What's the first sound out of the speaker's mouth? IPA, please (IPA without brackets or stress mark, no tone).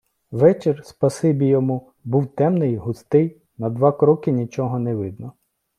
ʋ